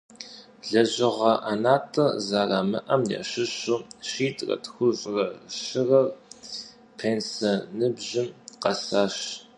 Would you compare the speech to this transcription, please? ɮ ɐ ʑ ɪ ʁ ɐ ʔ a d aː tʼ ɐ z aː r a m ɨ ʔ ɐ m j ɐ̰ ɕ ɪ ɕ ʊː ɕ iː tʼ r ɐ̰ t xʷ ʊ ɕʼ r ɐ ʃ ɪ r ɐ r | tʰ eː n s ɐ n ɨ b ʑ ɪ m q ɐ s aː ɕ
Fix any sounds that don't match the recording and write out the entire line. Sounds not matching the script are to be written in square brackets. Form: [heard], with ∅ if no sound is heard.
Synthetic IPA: ɮ ɐ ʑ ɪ ʁ ɐ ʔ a [n] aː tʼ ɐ z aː r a m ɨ ʔ ɐ m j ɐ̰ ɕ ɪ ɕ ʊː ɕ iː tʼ r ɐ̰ t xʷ ʊ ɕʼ r ɐ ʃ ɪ r ɐ r | [pʰ] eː n s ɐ n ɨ b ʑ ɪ m q ɐ s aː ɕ

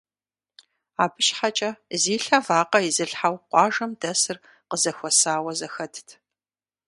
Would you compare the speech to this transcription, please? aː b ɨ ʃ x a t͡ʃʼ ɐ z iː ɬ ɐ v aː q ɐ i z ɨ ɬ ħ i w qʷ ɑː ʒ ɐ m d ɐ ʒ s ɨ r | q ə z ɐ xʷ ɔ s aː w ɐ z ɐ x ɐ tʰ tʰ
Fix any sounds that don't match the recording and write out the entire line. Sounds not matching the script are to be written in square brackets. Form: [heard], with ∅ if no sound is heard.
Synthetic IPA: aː b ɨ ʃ [ħ] a t͡ʃʼ ɐ z iː ɬ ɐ v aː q ɐ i z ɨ ɬ ħ [a] w qʷ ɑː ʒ ɐ m d ɐ [∅] s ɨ r | q ə z ɐ xʷ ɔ s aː w ɐ z ɐ x ɐ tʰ tʰ

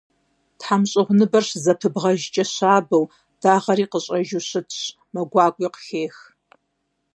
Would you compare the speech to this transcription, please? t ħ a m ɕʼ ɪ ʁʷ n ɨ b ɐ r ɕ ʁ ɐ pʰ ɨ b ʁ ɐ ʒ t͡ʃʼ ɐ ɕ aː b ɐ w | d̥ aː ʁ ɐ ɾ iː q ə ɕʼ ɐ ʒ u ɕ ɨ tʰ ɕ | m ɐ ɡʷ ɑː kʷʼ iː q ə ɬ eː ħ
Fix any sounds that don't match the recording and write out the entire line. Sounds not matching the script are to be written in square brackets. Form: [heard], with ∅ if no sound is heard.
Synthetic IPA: t ħ a m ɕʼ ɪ ʁʷ n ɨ b ɐ r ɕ [z] ɐ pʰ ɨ b ʁ ɐ ʒ t͡ʃʼ ɐ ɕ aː b ɐ w | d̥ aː ʁ ɐ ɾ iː q ə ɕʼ ɐ ʒ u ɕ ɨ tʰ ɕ | m ɐ ɡʷ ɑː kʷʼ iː q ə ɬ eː [x]

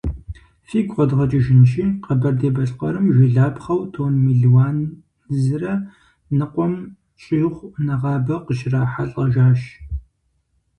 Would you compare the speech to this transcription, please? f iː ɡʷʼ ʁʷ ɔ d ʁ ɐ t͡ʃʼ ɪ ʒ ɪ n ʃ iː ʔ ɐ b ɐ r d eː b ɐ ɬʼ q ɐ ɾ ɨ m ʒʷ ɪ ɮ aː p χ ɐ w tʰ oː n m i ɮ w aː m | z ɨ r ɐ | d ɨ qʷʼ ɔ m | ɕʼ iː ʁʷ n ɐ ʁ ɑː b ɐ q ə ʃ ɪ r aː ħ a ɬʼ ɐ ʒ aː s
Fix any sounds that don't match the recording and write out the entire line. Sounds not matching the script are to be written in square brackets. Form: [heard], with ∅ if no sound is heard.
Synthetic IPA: f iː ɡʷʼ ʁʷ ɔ d ʁ ɐ t͡ʃʼ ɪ ʒ ɪ n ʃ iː [q] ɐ b ɐ r d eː b ɐ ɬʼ q ɐ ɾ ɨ m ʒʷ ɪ ɮ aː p χ ɐ w tʰ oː n m i ɮ w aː [n] | z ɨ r ɐ | [n] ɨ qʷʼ ɔ m | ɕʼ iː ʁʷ n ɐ ʁ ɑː b ɐ q ə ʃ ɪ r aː ħ a ɬʼ ɐ ʒ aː [ʃ]

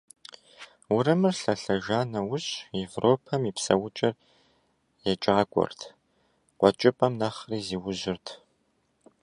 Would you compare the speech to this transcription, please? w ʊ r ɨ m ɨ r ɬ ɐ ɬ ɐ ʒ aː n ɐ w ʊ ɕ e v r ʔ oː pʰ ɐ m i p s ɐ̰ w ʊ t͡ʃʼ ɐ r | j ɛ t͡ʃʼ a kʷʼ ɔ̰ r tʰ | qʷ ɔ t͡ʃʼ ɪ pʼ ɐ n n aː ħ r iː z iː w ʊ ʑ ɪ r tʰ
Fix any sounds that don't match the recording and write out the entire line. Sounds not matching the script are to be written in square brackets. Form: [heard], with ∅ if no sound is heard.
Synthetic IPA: w ʊ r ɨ m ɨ r ɬ ɐ ɬ ɐ ʒ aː n ɐ w ʊ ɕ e v r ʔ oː pʰ ɐ m i p s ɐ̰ w ʊ t͡ʃʼ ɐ r | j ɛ t͡ʃʼ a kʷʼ ɔ̰ r tʰ | qʷ ɔ t͡ʃʼ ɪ pʼ ɐ [m] n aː [χ] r iː z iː w ʊ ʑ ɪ r tʰ

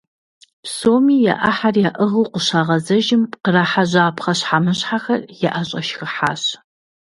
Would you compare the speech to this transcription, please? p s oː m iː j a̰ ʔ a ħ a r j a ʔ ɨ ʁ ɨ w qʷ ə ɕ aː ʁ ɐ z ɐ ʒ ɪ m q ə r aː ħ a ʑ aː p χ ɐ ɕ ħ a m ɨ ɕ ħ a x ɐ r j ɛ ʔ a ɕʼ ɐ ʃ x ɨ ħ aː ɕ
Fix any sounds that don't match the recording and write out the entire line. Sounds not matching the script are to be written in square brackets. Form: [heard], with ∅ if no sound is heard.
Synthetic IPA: p s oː m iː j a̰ ʔ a ħ a r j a ʔ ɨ ʁ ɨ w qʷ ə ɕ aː ʁ ɐ z ɐ ʒ ɪ m q ə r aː ħ a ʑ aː p χ ɐ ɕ ħ a m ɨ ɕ ħ a x ɐ r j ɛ ʔ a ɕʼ ɐ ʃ x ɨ ħ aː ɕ

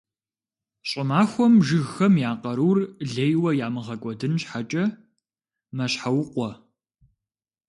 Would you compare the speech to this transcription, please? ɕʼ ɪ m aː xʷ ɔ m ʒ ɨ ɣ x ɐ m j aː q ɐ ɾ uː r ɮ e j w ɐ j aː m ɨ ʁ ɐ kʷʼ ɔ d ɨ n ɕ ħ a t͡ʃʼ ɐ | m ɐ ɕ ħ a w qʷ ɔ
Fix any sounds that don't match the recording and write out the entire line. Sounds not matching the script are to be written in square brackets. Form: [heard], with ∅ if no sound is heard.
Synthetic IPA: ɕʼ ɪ m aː xʷ ɔ m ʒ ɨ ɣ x ɐ m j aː q ɐ ɾ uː r ɮ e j w ɐ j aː m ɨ ʁ ɐ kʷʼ ɔ d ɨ n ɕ ħ a t͡ʃʼ ɐ | m ɐ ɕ ħ a w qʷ ɔ

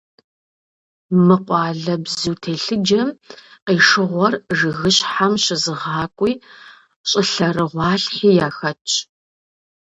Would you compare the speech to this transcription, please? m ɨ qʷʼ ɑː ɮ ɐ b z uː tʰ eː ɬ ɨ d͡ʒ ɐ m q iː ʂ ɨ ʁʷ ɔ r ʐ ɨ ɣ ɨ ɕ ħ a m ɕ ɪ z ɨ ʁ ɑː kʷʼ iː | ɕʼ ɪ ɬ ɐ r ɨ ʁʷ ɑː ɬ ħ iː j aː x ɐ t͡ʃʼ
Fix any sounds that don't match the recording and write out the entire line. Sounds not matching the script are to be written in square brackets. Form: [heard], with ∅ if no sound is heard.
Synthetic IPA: m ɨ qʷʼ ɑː ɮ ɐ b z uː tʰ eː ɬ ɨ d͡ʒ ɐ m q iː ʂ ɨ ʁʷ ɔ r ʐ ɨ ɣ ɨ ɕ ħ a m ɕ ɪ z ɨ ʁ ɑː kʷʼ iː | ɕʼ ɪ ɬ ɐ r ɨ ʁʷ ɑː ɬ ħ iː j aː x ɐ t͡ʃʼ

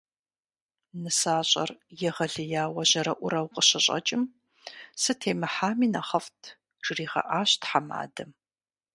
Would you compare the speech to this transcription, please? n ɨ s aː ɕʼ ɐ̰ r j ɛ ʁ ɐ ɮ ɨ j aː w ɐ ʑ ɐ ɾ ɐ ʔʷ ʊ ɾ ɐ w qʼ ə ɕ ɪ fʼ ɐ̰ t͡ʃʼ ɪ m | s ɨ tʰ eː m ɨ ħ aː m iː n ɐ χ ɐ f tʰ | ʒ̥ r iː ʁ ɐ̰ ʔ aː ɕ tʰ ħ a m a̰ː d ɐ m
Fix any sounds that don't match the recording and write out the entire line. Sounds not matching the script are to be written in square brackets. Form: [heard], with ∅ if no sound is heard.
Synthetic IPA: n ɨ s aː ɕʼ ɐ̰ r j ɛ ʁ ɐ ɮ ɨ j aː w ɐ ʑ ɐ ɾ ɐ ʔʷ ʊ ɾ ɐ w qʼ ə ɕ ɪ [ɕʼ] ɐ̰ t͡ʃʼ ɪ m | s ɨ tʰ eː m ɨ ħ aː m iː n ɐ χ ɐ f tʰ | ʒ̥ r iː ʁ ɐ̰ ʔ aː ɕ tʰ ħ a m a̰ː d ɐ m

